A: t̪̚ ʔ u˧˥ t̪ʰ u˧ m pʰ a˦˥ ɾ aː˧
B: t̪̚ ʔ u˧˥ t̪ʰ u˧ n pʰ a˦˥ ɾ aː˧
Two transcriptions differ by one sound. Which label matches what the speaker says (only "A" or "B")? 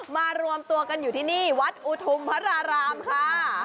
A